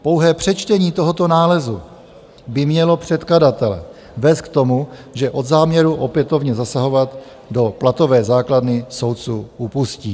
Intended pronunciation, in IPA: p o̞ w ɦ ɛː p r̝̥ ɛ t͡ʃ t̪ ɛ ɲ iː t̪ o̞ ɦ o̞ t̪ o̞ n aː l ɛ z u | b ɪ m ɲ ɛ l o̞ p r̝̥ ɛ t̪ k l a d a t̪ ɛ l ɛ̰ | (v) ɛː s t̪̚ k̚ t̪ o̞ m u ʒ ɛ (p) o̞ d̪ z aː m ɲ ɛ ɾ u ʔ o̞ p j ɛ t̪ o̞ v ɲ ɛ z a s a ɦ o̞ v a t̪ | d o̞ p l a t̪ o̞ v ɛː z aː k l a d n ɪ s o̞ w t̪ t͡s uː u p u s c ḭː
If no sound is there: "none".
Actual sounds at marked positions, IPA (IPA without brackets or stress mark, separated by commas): v, ʔ